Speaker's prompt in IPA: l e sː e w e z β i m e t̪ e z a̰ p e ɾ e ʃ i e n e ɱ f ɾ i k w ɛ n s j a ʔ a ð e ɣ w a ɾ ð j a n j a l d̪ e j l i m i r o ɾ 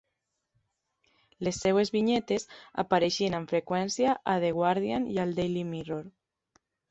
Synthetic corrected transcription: l e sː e w e z β i ɲ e t̪ e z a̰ p a ɾ e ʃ i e n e ɱ f ɾ e k w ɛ n s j a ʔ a ð e ɣ w a ɾ ð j a n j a l d̪ e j l i m i r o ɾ